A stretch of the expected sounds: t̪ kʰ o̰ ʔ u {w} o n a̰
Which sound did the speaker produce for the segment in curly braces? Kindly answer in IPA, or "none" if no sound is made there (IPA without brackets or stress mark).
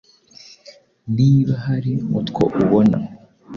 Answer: β